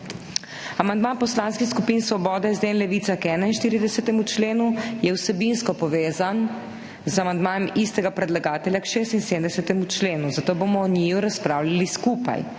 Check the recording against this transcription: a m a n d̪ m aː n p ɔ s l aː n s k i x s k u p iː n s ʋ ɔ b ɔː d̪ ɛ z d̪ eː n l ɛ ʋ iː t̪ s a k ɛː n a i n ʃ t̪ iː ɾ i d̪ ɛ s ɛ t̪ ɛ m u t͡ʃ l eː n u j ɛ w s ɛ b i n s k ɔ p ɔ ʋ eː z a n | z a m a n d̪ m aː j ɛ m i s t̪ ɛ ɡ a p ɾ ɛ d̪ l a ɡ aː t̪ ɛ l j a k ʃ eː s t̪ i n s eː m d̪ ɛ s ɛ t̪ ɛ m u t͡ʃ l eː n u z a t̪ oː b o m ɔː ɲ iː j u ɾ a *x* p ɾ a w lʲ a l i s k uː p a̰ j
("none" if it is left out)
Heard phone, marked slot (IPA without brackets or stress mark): s